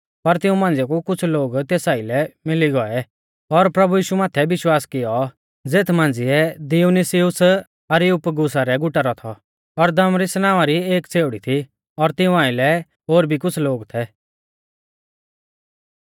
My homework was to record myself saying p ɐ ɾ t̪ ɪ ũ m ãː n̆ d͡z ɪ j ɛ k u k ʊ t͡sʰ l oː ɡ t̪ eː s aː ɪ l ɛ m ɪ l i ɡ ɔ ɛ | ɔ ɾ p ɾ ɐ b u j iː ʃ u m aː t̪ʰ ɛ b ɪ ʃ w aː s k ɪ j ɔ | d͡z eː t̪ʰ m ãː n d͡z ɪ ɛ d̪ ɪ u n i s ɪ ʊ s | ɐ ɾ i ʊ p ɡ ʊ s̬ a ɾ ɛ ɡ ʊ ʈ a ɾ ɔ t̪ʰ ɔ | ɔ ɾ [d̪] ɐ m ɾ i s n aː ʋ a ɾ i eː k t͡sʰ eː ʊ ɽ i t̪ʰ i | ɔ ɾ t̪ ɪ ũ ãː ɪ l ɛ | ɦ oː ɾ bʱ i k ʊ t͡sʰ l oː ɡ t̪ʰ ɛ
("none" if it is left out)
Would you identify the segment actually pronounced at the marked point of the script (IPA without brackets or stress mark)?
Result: d̪